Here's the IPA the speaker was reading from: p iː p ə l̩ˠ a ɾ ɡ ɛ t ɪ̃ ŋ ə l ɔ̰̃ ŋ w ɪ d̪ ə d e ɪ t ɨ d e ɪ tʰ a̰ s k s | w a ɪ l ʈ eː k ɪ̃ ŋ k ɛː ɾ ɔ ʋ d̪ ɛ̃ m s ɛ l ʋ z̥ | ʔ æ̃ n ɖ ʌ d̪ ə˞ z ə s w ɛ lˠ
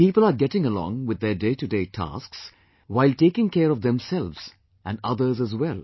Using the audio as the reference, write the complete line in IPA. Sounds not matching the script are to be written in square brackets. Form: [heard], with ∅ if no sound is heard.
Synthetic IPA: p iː p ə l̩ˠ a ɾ ɡ ɛ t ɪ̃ ŋ ə l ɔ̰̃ ŋ w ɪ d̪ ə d e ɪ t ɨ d e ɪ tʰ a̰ s k s | w a ɪ l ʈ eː k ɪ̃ ŋ k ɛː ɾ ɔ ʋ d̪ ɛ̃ m s ɛ l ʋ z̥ | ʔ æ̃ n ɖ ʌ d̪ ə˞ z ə [z] w ɛ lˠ

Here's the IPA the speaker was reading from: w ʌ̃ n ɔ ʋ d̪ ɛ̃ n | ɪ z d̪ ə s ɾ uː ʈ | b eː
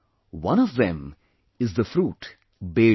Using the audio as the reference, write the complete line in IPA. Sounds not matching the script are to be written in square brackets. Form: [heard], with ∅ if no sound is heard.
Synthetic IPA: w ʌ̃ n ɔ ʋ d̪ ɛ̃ [m] | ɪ z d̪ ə [f] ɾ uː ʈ | b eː

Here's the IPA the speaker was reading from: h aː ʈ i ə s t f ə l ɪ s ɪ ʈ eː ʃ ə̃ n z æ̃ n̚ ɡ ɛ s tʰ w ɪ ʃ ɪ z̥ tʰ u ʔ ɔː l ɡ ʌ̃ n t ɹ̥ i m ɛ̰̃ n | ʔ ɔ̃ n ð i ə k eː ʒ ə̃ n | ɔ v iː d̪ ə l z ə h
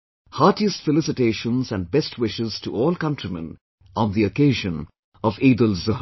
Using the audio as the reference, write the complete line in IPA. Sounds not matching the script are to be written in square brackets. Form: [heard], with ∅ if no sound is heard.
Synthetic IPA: h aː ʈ i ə s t f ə l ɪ s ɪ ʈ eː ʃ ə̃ n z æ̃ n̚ [b] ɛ s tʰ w ɪ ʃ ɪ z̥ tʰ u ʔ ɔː l [k] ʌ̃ n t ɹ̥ i m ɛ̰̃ n | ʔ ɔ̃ n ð i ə k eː ʒ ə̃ n | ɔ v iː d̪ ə l z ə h

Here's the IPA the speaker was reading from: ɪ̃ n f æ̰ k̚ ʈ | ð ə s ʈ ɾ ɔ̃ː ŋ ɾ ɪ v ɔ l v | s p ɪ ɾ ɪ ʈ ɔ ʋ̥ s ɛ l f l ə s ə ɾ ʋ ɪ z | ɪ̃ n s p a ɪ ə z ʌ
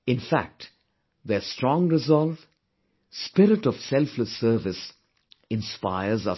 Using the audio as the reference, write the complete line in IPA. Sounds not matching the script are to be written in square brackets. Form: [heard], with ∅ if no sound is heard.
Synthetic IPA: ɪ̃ n f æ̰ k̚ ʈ | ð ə s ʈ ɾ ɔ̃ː ŋ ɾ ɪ [z] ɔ l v | s p ɪ ɾ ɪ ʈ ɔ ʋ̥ s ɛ l f l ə s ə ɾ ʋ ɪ [s] | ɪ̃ n s p a ɪ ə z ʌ

